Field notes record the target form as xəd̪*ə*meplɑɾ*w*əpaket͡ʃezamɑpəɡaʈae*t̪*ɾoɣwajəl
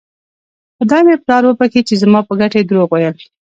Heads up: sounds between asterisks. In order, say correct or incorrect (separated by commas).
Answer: incorrect, correct, incorrect